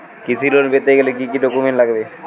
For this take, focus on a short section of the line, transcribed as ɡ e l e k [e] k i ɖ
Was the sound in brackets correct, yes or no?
no